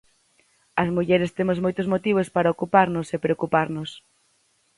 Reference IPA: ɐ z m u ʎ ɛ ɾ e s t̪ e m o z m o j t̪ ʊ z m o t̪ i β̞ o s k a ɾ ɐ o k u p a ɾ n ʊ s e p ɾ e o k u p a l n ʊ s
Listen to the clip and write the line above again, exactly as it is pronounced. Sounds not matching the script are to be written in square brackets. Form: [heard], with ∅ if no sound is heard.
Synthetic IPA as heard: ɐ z m u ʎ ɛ ɾ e s t̪ e m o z m o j t̪ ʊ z m o t̪ i β̞ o s [p] a ɾ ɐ o k u p a ɾ n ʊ s e p ɾ e o k u p a [ɾ] n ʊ s